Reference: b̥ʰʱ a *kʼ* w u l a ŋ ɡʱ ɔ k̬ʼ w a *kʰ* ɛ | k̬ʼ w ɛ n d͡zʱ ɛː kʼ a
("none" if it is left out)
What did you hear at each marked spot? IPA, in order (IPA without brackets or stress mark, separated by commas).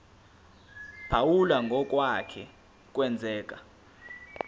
none, kʰ